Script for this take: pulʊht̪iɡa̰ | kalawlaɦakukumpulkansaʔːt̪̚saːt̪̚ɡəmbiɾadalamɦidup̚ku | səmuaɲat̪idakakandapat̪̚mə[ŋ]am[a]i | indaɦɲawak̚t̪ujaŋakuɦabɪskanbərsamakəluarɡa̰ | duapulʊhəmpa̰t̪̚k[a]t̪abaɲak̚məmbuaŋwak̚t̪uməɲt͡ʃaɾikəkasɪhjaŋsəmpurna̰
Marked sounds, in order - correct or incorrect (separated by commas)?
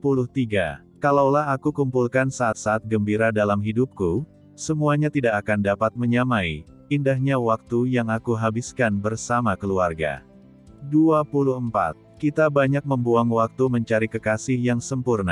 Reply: incorrect, correct, incorrect